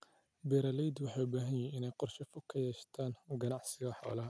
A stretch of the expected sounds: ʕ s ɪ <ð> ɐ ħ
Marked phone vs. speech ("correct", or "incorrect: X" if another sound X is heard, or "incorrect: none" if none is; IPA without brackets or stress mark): incorrect: ɣ